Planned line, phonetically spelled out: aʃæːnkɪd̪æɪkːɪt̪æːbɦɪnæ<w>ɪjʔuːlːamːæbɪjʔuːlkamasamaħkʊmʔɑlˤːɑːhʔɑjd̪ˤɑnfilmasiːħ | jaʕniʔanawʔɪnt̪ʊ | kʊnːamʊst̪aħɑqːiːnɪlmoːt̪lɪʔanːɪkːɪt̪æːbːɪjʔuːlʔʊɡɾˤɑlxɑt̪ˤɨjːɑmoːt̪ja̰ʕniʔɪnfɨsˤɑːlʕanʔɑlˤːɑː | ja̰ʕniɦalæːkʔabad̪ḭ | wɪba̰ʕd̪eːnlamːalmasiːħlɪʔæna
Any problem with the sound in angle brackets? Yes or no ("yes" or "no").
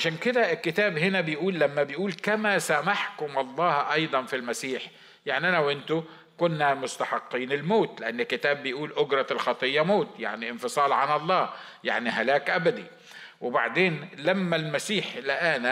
yes